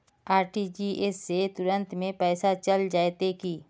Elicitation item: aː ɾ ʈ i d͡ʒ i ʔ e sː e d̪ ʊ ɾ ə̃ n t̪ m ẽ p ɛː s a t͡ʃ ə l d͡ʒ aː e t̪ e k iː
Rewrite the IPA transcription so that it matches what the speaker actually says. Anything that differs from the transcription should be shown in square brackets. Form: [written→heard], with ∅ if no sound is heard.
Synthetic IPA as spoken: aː ɾ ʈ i d͡ʒ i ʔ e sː e [d̪→t̪] ʊ ɾ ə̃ n t̪ m ẽ p ɛː s a t͡ʃ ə l d͡ʒ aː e t̪ e k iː